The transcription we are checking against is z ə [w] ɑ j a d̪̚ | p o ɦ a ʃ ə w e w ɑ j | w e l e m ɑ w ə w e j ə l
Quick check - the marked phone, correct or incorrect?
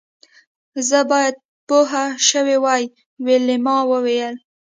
incorrect